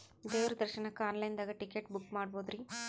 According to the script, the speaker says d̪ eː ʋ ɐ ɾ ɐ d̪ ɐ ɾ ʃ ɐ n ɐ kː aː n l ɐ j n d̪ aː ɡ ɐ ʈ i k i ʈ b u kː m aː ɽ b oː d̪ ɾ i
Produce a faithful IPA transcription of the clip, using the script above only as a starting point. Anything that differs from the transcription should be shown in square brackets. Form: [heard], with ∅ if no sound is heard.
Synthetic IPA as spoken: d̪ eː ʋ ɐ ɾ ɐ d̪ ɐ ɾ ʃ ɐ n ɐ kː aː n l ɐ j n d̪ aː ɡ ɐ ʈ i k [e] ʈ b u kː m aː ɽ b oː d̪ ɾ i